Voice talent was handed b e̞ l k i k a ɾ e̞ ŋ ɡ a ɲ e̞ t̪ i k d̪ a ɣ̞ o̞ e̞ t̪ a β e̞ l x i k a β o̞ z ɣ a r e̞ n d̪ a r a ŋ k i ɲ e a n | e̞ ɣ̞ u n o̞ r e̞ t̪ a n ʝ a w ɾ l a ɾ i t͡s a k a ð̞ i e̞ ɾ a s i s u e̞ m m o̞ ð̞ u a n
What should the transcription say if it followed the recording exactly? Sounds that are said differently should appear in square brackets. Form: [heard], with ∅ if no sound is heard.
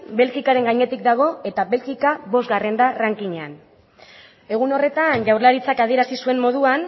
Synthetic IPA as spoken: b e̞ l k i k a ɾ e̞ ŋ ɡ a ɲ e̞ t̪ i k d̪ a ɣ̞ o̞ e̞ t̪ a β e̞ l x i k a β o̞ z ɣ a r e̞ n d̪ a r a ŋ k i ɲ e a n | e̞ ɣ̞ u n o̞ r e̞ t̪ a n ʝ a w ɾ l a ɾ i t͡s a k a ð̞ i e̞ ɾ a s i s u e̞ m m o̞ ð̞ u a n